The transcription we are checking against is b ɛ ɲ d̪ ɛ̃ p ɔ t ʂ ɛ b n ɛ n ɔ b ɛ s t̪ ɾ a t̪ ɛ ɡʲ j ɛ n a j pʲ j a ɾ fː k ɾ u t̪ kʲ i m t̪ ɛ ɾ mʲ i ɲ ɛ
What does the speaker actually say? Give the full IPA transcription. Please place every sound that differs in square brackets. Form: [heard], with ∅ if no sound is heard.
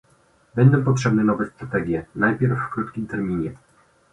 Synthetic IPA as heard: b ɛ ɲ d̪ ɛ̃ p ɔ t ʂ ɛ b n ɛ n ɔ [v] ɛ s t̪ ɾ a t̪ ɛ ɡʲ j ɛ n a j pʲ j [ɛ] ɾ fː k ɾ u t̪ kʲ i m t̪ ɛ ɾ mʲ i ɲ ɛ